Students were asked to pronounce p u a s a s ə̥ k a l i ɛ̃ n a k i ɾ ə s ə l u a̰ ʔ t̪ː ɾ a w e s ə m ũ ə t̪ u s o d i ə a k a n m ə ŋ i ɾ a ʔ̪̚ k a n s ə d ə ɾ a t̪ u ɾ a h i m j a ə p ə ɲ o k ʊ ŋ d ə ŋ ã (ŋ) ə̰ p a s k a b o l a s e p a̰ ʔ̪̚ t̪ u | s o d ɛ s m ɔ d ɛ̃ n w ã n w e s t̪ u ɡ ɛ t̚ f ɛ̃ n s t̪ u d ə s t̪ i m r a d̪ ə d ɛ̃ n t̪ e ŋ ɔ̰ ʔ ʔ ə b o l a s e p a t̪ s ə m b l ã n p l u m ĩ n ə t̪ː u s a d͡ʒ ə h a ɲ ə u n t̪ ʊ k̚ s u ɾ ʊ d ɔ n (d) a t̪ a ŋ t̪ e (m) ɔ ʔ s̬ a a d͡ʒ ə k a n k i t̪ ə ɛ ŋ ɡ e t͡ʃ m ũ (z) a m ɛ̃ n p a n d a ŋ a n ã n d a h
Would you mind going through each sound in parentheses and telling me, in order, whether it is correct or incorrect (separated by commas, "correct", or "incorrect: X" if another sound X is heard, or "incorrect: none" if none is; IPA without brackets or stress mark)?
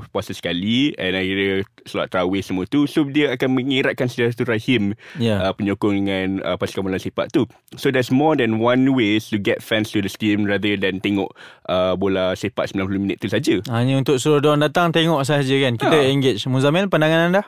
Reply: incorrect: n, correct, incorrect: ŋ, correct